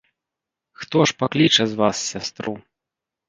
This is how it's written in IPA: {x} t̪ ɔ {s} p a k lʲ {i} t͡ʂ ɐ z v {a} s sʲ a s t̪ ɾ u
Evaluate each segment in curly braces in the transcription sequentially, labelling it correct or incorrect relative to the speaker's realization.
correct, incorrect, correct, correct

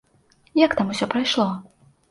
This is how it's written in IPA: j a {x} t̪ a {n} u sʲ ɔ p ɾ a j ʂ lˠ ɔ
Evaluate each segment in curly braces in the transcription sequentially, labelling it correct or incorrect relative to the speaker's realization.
incorrect, incorrect

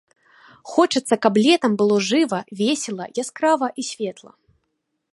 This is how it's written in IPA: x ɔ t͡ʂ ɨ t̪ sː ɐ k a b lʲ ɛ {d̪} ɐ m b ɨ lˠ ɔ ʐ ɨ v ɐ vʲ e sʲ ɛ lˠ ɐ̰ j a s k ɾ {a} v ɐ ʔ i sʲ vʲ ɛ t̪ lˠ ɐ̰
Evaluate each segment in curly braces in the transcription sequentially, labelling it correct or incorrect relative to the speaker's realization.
incorrect, correct

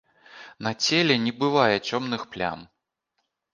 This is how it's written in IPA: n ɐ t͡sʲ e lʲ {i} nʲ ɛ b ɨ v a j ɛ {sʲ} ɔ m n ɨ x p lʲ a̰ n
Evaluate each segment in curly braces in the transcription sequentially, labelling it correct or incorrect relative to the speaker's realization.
incorrect, incorrect

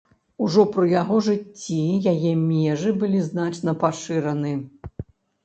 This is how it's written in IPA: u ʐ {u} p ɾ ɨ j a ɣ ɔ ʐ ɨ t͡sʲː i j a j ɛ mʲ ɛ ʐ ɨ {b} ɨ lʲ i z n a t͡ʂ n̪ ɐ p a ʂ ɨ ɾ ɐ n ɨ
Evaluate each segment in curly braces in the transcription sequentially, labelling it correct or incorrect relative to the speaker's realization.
incorrect, correct

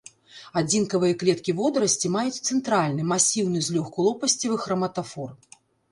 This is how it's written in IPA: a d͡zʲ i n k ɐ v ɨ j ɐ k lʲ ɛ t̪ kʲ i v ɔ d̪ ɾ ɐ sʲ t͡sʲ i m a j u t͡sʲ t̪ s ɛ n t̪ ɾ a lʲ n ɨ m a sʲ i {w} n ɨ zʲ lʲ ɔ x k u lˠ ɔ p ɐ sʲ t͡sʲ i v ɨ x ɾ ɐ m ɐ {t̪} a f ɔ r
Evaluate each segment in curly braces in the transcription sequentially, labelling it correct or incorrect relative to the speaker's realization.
correct, correct

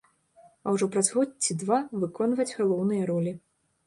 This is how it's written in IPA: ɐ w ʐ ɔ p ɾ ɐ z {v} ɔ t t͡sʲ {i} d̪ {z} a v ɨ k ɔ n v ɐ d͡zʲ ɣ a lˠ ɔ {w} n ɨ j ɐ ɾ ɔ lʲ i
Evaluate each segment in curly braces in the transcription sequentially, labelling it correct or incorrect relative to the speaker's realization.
incorrect, correct, incorrect, correct

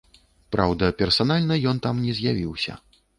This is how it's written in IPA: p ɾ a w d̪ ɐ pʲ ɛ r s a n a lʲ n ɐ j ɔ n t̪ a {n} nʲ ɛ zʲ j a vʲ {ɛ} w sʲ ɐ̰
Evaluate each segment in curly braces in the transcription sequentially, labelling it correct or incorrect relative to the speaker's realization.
incorrect, incorrect

